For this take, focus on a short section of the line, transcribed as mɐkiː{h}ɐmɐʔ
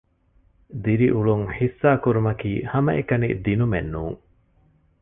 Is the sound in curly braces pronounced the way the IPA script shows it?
yes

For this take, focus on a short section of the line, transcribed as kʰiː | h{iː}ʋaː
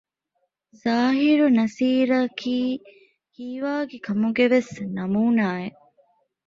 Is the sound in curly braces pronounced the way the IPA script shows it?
yes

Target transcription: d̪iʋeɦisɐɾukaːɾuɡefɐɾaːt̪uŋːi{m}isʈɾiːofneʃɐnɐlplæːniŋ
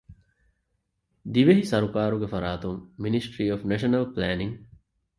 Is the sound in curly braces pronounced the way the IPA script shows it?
no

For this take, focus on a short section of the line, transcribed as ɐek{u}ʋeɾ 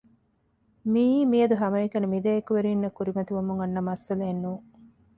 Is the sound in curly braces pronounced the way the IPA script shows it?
yes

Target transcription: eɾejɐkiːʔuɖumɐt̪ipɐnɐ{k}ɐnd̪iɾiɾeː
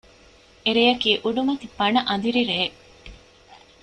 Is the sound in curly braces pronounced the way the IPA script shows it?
no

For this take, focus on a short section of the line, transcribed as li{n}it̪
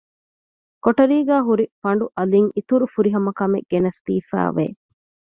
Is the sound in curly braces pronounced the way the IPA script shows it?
no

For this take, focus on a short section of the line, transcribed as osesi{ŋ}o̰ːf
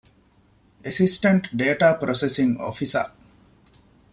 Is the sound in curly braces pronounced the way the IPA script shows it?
yes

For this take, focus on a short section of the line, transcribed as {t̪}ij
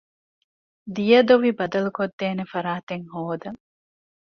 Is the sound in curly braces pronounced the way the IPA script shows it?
no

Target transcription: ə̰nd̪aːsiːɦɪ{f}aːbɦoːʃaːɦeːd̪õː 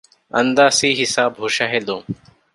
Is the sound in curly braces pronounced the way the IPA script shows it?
no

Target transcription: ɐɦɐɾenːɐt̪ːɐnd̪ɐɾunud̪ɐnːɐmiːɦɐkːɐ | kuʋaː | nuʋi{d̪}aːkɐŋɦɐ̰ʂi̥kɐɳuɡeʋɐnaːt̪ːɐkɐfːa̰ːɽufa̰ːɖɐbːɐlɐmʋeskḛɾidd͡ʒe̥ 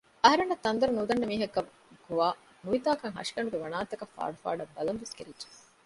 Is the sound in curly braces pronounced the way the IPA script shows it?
no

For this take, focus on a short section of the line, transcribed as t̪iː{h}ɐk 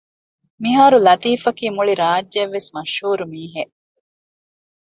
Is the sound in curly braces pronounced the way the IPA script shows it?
no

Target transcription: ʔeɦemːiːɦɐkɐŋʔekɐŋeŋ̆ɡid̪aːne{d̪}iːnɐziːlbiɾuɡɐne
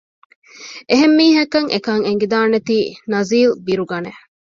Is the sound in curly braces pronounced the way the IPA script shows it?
no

